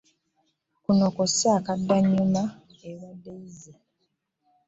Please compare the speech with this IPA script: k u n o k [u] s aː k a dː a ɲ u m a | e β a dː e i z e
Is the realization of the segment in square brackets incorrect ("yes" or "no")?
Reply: yes